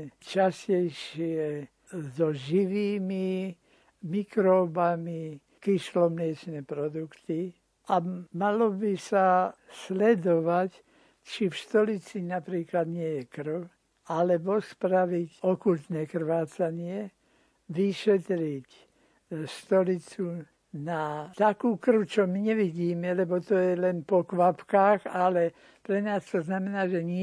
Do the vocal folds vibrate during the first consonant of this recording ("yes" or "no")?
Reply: no